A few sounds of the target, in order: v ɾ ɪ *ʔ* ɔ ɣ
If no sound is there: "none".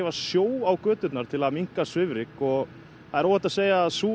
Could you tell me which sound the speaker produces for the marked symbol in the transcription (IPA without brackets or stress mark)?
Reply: k